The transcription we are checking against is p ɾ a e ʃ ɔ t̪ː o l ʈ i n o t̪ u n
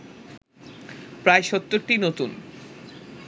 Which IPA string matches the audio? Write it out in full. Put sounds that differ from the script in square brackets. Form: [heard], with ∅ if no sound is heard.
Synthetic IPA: p ɾ a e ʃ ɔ t̪ː o [ɾ] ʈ i n o t̪ u n